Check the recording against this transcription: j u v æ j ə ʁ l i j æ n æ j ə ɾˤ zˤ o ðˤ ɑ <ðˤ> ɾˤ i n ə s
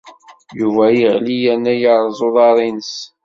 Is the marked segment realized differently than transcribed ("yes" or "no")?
yes